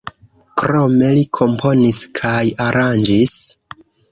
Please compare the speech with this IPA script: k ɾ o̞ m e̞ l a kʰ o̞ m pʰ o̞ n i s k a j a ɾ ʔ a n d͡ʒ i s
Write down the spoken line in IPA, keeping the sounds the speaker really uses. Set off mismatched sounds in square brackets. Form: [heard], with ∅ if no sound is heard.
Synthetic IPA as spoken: k ɾ o̞ m e̞ l [i] kʰ o̞ m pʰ o̞ n i s [kʰ] a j a ɾ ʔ a n d͡ʒ i s